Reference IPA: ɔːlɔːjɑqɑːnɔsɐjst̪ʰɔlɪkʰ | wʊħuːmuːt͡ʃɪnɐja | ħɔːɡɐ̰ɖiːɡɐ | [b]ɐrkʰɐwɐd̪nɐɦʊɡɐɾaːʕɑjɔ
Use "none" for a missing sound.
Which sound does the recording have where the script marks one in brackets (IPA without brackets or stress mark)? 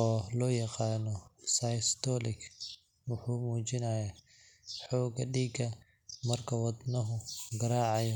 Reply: m